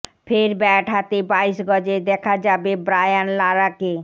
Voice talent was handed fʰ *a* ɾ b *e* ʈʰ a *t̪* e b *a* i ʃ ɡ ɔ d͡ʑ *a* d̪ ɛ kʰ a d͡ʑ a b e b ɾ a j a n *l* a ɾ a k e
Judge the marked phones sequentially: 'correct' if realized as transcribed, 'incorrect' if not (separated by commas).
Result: incorrect, incorrect, correct, correct, incorrect, correct